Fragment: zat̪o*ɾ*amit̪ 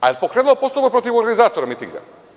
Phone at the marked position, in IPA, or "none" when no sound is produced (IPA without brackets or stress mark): ɾ